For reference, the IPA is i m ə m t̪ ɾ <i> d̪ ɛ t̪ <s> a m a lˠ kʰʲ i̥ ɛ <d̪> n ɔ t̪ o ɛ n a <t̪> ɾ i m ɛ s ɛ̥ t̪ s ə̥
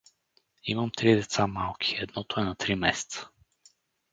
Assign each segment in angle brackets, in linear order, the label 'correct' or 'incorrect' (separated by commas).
correct, correct, correct, correct